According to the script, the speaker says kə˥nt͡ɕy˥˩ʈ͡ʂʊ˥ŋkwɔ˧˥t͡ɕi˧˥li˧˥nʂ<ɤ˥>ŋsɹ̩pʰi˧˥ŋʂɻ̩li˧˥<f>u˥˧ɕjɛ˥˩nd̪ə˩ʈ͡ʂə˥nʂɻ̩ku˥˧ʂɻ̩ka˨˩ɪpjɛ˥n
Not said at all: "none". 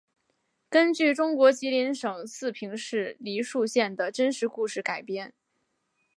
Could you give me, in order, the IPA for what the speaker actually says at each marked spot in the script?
ɤ˨˩, ʂ

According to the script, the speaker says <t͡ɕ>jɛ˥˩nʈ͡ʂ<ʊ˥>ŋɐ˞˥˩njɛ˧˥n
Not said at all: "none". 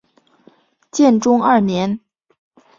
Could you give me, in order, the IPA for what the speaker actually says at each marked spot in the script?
t͡ɕ, ʊ˥

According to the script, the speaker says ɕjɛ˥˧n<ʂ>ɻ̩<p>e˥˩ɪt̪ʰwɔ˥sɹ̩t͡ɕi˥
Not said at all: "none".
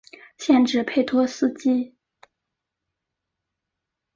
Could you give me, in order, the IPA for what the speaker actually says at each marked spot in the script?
ʈ͡ʂ, pʰ

